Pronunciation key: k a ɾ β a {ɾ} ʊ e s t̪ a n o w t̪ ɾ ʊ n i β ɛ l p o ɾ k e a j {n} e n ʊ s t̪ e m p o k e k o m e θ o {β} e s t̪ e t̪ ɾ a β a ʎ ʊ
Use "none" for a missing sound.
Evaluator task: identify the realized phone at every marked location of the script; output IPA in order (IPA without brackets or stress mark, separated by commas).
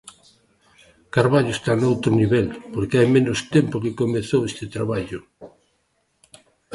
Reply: ʎ, m, w